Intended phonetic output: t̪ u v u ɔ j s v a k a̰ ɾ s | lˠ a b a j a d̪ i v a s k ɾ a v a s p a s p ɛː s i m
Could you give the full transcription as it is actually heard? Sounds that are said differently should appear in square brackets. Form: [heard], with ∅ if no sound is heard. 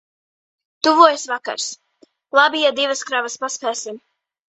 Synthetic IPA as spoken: t̪ u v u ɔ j s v a k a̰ ɾ s | lˠ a b [i] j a d̪ i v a s k ɾ a v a s p a s p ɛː s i m